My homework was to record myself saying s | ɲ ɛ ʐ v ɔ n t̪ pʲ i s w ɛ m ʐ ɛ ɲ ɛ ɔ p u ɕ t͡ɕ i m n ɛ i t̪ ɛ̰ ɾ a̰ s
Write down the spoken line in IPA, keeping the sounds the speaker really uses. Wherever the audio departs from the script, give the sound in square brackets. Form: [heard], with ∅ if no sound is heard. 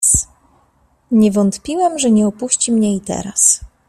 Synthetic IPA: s | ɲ ɛ [∅] v ɔ n t̪ pʲ i [∅] w ɛ m ʐ ɛ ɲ ɛ ɔ p u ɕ t͡ɕ i m [ɲ] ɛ i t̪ ɛ̰ ɾ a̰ s